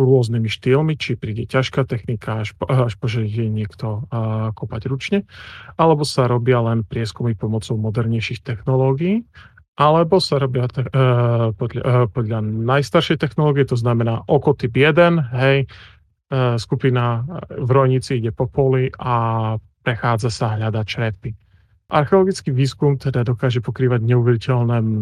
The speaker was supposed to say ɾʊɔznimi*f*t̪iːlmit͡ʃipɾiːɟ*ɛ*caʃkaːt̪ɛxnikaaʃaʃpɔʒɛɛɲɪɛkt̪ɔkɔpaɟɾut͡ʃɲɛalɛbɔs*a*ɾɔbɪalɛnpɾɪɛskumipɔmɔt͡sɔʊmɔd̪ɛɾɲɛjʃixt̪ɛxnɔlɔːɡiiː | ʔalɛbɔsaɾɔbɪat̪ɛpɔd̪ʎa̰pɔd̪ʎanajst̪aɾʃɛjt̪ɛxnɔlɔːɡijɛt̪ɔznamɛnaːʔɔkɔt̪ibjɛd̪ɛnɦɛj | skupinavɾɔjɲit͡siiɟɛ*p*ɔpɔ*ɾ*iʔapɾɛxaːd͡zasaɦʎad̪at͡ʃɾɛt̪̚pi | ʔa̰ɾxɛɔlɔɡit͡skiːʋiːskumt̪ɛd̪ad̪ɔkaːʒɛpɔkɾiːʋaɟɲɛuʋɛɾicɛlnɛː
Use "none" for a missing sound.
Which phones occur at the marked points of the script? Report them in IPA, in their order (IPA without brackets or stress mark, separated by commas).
ʃ, ɛ, a, p, l